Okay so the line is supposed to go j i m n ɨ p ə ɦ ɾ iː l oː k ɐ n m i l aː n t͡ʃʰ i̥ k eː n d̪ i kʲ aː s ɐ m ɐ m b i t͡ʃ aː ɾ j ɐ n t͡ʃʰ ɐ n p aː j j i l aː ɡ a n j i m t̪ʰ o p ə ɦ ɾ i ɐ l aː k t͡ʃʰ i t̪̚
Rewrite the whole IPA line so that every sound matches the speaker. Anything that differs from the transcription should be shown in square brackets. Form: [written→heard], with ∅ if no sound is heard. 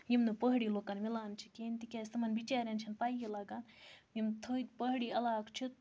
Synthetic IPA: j i m n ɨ p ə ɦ [ɾ→ɽ] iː l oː k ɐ n m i l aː n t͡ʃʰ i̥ k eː n [d̪→t̪] i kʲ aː s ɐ m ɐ [m→n] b i t͡ʃ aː ɾ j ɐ n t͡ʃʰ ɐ n p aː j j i l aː ɡ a n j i m t̪ʰ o p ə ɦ [ɾ→ɽ] i ɐ l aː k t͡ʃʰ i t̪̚